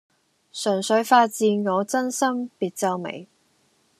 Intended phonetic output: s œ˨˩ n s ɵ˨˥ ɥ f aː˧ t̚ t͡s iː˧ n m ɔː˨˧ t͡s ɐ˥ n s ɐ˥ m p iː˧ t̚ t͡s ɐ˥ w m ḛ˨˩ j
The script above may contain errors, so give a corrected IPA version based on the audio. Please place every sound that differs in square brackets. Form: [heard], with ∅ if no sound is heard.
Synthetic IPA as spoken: s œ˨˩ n s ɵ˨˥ ɥ f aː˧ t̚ t͡s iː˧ n [ŋ] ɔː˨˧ t͡s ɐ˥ n s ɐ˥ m p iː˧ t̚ t͡s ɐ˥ w m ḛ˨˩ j